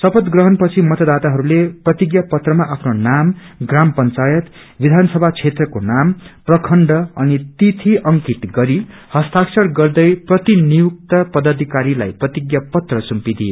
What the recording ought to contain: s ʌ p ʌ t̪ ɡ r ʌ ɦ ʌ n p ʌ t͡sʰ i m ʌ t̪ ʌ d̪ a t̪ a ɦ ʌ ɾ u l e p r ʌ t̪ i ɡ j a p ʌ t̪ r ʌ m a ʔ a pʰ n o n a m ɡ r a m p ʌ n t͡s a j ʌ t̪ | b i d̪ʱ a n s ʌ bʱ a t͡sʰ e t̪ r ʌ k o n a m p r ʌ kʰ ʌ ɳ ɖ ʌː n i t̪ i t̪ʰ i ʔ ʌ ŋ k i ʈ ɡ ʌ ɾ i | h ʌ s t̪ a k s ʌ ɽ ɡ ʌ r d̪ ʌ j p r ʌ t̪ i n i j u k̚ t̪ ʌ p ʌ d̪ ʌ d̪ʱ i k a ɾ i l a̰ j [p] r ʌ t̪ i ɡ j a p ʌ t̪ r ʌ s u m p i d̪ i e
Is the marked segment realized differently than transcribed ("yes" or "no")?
no